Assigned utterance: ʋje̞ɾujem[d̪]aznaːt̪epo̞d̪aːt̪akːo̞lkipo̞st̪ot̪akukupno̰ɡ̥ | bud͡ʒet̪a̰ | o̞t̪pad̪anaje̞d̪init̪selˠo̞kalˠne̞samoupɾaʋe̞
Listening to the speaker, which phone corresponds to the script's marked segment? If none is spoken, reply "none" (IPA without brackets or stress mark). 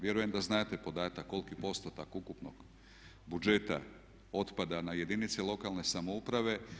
d̪